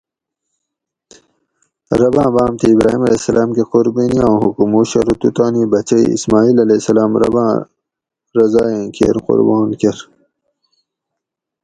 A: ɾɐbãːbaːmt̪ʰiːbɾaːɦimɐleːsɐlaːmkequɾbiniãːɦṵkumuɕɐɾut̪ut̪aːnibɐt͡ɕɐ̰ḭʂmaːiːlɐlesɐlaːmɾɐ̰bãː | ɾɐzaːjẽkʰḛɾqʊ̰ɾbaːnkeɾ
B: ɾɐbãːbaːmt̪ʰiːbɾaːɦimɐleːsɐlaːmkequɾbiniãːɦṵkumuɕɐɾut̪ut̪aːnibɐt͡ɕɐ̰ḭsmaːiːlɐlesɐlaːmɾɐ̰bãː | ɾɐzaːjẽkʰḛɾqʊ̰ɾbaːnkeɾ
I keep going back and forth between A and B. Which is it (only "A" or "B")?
B